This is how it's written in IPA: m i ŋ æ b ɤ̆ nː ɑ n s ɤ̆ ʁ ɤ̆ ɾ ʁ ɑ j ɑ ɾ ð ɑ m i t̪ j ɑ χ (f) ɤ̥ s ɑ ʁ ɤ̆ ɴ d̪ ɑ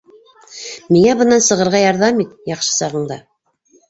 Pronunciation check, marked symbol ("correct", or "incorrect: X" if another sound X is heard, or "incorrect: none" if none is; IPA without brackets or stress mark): incorrect: ʃ